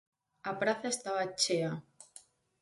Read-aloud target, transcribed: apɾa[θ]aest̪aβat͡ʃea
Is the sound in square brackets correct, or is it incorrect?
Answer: correct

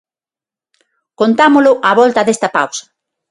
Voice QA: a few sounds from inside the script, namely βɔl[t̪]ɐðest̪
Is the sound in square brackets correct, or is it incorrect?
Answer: correct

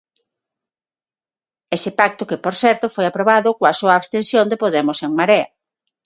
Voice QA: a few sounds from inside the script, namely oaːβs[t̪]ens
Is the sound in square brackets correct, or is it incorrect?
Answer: correct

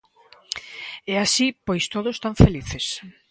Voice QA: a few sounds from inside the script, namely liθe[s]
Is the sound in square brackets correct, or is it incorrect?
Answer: correct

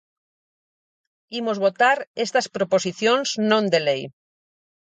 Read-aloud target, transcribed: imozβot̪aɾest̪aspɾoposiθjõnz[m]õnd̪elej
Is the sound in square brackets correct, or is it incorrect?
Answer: incorrect: n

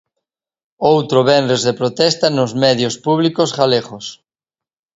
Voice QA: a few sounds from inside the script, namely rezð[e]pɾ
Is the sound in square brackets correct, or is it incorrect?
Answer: correct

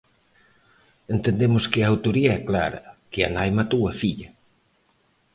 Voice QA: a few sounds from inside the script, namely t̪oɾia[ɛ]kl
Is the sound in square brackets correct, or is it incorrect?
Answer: correct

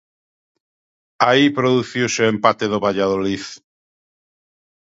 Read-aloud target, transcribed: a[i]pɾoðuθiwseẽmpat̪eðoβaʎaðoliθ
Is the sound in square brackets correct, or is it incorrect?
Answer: correct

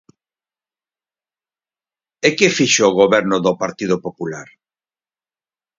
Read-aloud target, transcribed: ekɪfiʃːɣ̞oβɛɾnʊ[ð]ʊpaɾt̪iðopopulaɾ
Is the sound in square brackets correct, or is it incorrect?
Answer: correct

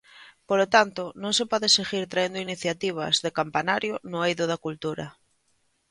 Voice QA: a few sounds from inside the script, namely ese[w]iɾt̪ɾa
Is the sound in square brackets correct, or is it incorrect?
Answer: incorrect: ɣ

